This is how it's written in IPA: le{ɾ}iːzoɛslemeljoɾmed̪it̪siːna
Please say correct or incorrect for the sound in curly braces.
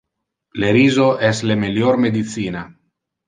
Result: correct